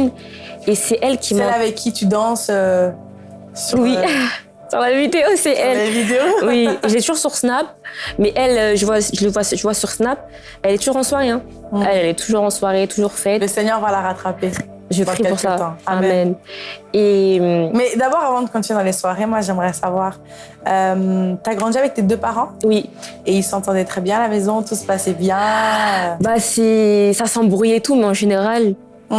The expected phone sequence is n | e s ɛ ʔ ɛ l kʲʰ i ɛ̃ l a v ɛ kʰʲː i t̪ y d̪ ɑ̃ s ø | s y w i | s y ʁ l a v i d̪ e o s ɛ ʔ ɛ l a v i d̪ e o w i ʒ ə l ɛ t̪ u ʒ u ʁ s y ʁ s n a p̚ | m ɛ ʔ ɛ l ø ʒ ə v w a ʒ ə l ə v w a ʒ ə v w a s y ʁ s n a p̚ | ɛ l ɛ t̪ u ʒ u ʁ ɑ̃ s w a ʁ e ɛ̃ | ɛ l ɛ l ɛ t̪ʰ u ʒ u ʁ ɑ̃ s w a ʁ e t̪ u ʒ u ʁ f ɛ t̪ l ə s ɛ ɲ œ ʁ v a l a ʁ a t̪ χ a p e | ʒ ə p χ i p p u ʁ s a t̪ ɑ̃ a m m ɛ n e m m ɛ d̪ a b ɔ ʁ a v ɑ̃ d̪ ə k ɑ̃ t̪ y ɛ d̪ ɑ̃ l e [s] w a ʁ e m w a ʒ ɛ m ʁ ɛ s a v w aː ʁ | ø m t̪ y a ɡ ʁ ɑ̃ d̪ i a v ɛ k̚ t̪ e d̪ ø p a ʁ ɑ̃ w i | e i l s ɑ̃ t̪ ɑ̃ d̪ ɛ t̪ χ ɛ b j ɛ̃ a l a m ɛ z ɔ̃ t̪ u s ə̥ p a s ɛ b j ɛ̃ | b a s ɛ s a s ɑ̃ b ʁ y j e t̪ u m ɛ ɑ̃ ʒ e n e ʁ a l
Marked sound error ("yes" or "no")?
no